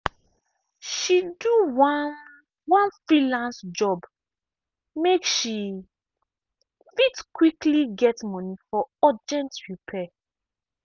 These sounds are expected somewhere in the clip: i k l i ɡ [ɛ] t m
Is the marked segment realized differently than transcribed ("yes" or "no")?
no